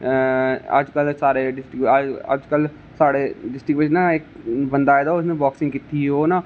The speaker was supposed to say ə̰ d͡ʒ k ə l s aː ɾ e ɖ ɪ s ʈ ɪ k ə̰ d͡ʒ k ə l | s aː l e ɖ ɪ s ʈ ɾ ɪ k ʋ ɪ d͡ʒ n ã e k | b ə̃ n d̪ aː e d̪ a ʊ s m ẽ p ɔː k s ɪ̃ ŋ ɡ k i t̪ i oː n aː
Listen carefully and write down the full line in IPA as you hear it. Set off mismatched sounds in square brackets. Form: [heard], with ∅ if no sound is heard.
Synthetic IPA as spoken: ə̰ d͡ʒ k ə l s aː ɾ e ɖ ɪ s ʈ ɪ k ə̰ d͡ʒ k ə l | s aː [ɽ] e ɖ ɪ s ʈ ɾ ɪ k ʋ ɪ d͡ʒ n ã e k | b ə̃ n d̪ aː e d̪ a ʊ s [n] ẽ [b] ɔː k s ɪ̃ ŋ ɡ k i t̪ i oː n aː